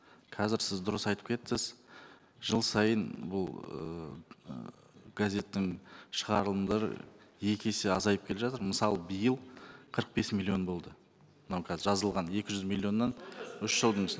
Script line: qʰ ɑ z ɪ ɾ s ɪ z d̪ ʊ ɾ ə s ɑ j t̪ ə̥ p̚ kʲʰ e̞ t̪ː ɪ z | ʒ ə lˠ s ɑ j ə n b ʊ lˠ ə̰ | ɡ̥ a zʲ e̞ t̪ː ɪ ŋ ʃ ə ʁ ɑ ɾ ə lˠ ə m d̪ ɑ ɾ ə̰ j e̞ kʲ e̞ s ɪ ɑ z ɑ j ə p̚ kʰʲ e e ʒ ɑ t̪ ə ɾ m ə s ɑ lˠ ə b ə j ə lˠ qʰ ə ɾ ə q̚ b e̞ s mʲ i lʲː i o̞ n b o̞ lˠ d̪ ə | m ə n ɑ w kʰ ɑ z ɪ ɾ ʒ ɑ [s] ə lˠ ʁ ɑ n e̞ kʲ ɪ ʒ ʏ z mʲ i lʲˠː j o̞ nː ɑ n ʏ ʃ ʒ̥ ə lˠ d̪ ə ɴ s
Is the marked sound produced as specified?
no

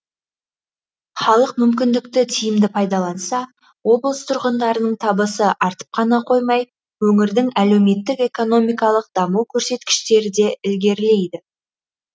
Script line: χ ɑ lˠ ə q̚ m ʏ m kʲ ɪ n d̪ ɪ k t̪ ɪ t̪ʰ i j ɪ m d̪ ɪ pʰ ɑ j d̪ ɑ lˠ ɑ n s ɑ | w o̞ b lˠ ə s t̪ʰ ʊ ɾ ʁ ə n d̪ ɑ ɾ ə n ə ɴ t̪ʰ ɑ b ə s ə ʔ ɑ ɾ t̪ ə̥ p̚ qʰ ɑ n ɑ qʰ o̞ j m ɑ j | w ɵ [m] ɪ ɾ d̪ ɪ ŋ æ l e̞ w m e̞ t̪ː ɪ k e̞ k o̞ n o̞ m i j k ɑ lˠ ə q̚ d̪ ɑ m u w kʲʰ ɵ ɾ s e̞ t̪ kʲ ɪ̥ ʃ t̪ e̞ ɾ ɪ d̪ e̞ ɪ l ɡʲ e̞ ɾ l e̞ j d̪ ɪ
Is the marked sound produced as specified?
no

